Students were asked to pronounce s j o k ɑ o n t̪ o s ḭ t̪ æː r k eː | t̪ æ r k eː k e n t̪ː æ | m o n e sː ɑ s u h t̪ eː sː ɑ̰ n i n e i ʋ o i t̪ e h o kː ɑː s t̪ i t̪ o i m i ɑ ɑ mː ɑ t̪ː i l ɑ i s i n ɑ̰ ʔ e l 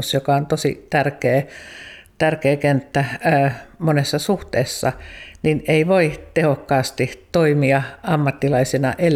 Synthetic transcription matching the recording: s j o k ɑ o n t̪ o s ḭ t̪ æ r k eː | t̪ æ r k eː k e n t̪ː æ | m o n e sː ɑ s u h t̪ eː sː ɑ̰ n i n e i ʋ o i t̪ e h o kː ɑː s t̪ i t̪ o i m i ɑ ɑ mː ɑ t̪ː i l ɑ i s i n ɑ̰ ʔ e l